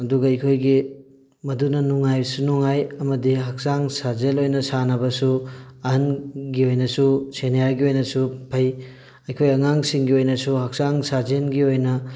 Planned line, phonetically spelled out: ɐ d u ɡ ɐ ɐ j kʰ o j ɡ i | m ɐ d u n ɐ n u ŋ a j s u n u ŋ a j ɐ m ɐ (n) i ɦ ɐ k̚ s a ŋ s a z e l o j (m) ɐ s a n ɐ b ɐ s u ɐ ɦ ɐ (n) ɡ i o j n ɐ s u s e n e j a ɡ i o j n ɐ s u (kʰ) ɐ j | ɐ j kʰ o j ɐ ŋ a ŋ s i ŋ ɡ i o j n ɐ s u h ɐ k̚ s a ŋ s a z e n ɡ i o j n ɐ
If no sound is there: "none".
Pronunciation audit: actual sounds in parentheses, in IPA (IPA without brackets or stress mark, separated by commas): d, n, n, pʰ